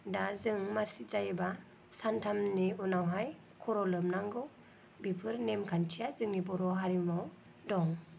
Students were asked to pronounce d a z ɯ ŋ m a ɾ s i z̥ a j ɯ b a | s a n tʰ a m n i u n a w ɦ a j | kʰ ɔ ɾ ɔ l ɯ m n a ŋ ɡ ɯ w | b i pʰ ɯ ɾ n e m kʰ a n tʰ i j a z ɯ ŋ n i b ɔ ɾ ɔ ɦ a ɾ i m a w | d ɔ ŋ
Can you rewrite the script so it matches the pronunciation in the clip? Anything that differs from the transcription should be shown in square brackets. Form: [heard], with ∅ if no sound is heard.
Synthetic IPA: d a z ɯ ŋ m a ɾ s i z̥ a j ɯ b a | s a n tʰ a m n i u n a w ɦ a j | kʰ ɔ ɾ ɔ l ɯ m n a ŋ ɡ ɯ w | b i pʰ ɯ ɾ n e m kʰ a n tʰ i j a z ɯ ŋ n i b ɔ ɾ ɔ ɦ a ɾ i m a w | d ɔ ŋ